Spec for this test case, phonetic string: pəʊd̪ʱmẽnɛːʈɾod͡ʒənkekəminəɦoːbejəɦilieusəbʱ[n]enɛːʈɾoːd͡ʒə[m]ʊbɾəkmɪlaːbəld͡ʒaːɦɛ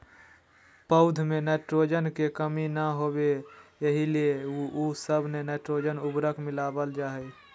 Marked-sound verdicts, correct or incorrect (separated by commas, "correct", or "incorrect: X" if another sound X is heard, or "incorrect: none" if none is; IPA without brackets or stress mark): correct, incorrect: n